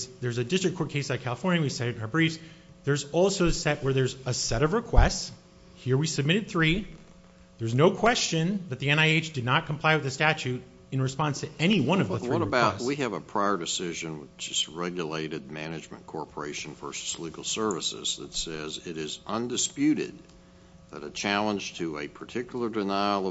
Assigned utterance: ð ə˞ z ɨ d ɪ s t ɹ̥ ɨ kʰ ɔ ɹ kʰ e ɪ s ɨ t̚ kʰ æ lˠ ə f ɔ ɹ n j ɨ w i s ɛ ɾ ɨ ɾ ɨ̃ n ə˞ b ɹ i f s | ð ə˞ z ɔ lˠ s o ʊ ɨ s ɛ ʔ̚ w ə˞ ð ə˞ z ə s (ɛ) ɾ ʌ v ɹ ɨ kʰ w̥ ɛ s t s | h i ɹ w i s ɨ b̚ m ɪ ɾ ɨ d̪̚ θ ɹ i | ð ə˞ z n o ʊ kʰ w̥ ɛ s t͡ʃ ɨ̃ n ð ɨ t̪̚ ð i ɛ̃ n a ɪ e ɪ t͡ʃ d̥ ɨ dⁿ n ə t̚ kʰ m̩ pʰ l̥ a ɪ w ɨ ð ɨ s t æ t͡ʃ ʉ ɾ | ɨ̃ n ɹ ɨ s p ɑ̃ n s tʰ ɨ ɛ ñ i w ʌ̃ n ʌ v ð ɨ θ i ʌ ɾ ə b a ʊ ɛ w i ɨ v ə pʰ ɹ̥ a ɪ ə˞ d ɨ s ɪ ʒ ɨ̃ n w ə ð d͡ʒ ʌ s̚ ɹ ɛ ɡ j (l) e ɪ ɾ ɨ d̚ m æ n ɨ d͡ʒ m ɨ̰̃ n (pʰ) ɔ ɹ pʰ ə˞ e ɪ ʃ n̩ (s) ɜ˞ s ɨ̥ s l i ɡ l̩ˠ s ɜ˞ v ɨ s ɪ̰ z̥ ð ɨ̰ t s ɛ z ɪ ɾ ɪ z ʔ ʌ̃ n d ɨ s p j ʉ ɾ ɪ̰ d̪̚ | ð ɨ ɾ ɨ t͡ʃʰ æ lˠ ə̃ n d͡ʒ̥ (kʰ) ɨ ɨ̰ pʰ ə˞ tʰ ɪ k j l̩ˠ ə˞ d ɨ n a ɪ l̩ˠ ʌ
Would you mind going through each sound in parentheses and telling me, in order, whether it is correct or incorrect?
correct, correct, incorrect: kʰ, incorrect: f, incorrect: tʰ

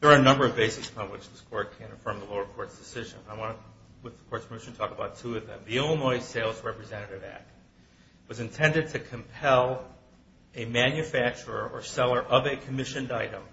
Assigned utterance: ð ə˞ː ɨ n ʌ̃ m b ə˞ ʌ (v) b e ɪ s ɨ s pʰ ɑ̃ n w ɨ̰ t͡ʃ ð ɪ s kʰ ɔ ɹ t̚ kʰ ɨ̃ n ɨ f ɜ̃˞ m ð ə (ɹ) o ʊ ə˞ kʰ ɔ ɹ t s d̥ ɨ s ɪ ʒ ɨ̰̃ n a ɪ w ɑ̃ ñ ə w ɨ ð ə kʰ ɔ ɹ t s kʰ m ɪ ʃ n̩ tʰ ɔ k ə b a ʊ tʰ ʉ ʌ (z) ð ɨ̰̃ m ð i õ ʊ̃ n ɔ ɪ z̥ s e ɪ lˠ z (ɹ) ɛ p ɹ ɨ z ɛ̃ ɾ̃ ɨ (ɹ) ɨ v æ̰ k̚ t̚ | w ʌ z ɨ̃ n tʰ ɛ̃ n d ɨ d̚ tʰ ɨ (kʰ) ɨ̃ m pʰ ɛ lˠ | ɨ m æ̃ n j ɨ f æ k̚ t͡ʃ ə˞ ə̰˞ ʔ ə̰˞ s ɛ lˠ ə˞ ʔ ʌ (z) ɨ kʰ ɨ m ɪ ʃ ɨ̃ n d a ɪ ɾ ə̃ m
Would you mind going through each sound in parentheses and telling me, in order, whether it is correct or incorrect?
correct, incorrect: l, incorrect: v, correct, incorrect: ɾ, correct, incorrect: v

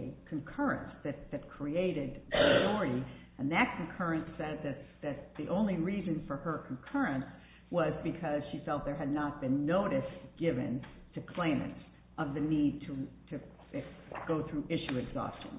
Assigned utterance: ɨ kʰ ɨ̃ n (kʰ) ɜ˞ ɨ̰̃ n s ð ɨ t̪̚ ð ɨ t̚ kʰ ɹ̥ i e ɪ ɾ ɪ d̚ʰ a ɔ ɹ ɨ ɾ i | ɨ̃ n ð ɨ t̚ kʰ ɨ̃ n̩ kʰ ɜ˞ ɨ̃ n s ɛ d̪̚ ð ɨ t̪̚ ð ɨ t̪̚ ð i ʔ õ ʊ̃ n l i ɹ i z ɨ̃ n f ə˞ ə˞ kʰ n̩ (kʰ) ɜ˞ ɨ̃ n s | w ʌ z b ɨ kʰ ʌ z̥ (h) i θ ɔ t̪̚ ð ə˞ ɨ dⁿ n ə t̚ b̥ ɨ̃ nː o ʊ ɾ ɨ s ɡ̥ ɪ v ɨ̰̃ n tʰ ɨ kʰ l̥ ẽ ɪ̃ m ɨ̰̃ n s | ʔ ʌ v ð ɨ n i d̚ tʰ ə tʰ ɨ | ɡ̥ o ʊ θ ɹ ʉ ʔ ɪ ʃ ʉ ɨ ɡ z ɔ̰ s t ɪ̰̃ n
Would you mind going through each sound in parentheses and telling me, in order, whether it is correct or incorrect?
correct, correct, incorrect: ʃ

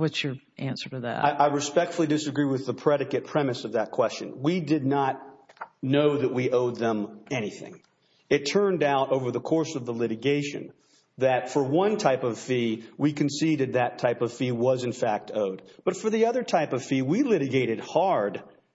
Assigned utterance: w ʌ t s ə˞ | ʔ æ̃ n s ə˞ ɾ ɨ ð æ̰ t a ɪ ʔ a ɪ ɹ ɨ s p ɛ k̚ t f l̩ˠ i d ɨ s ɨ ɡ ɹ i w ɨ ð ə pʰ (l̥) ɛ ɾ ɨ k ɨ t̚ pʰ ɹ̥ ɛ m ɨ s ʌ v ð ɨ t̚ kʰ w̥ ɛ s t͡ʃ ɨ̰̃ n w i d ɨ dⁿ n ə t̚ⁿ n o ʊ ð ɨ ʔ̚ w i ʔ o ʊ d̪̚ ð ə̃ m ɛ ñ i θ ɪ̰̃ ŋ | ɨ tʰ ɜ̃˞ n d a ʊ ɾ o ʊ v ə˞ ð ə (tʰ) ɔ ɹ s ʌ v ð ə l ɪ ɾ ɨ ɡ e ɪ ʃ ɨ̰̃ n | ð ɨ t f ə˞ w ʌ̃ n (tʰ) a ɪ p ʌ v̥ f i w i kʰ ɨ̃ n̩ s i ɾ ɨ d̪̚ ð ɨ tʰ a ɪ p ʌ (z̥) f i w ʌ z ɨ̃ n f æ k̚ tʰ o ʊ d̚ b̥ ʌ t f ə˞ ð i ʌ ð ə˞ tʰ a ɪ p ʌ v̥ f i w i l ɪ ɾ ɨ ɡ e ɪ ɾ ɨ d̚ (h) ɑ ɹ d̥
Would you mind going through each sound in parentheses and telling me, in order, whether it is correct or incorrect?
incorrect: ɹ̥, incorrect: kʰ, correct, incorrect: v̥, correct

